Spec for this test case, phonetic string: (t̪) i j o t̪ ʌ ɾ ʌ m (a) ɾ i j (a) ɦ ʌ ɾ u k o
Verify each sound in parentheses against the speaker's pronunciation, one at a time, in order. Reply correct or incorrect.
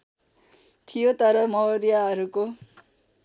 incorrect: t̪ʰ, incorrect: ʌ, correct

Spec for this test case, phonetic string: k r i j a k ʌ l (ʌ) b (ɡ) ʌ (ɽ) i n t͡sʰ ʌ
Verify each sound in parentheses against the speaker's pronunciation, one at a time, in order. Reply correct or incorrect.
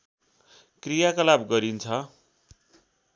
incorrect: a, correct, incorrect: ɾ

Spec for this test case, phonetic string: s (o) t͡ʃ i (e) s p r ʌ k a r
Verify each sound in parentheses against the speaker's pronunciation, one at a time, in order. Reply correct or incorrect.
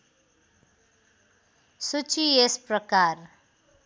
incorrect: u, correct

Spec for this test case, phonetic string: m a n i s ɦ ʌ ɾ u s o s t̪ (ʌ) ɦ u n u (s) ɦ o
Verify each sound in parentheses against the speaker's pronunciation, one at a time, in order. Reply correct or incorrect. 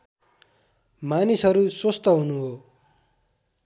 correct, incorrect: none

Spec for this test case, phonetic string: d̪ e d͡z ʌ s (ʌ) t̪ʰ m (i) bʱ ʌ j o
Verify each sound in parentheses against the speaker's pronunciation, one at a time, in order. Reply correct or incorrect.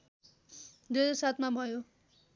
incorrect: a, incorrect: a

